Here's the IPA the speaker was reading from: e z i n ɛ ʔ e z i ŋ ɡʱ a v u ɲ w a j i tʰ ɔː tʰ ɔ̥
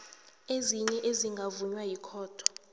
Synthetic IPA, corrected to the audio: e z i ɲ ɛ ʔ e z i ŋ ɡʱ a v u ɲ w a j i kʰ ɔː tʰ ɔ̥